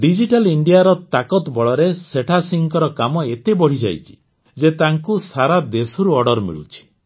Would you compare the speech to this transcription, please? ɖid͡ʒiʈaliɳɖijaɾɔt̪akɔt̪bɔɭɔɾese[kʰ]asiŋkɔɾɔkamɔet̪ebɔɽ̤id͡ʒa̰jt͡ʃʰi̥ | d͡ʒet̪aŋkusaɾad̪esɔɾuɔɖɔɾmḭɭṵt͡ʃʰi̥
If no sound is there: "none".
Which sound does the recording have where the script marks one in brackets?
ʈʰ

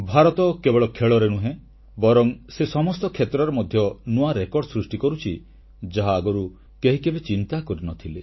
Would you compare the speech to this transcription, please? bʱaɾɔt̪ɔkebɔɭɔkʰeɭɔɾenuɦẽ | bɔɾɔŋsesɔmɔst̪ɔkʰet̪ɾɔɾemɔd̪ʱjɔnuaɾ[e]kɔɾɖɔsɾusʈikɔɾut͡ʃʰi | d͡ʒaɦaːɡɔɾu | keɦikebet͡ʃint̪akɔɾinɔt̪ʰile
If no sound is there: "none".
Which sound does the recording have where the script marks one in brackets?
e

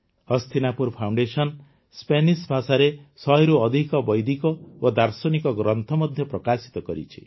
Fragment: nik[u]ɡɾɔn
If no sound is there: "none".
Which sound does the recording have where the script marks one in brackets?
ɔ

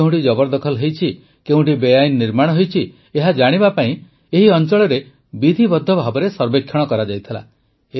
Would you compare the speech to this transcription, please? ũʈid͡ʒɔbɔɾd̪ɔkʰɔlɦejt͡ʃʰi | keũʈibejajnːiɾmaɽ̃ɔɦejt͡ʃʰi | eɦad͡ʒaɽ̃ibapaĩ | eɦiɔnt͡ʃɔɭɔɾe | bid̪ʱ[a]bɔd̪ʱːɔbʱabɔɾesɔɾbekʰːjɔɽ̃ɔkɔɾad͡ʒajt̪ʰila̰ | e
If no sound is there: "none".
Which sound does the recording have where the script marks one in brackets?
i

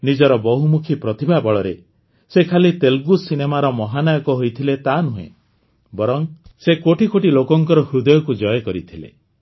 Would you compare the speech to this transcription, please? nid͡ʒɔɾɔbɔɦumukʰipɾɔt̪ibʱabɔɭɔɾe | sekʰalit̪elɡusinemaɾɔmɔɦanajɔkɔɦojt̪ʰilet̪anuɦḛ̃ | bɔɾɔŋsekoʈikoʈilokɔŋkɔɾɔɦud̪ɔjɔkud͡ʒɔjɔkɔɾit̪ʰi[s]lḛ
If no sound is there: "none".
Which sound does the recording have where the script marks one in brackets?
none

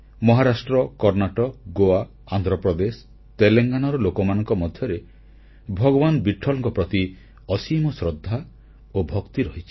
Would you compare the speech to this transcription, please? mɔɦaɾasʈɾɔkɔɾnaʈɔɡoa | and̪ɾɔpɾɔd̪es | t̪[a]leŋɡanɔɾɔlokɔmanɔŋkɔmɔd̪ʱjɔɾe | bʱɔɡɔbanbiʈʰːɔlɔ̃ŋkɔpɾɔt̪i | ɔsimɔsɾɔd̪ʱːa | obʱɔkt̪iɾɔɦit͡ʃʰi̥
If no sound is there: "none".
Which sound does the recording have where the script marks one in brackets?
e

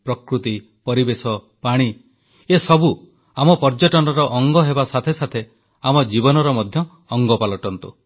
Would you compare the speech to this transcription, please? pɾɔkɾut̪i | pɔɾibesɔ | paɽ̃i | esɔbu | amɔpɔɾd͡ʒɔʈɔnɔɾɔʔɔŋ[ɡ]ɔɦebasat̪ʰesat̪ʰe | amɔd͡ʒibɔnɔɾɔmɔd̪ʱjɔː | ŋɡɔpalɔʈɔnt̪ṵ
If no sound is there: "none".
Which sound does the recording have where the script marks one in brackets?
ɡ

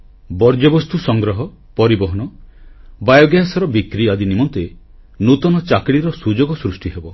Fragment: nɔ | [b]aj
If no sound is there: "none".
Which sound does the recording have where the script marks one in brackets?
b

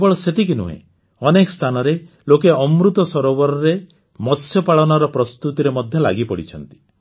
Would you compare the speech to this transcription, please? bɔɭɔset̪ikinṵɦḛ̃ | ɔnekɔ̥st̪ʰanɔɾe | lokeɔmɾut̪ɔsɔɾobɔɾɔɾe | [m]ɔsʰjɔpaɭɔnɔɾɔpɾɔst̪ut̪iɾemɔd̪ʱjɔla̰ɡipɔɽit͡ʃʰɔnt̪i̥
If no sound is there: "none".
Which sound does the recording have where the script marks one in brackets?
m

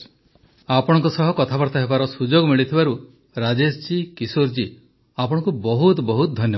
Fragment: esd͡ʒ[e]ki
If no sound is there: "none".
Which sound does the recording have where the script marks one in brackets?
i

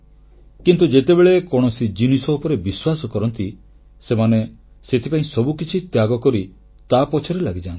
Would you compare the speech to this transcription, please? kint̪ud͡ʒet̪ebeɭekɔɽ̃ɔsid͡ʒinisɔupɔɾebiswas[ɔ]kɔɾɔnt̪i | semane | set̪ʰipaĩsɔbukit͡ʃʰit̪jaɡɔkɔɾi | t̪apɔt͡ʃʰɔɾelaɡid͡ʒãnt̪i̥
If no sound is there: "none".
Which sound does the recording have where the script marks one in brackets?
ɔ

